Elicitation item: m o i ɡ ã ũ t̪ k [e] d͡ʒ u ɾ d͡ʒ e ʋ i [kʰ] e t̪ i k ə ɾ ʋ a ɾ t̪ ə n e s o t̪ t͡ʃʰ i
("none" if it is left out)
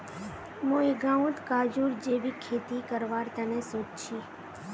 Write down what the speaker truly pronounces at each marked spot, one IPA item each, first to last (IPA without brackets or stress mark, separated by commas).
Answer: a, kʰ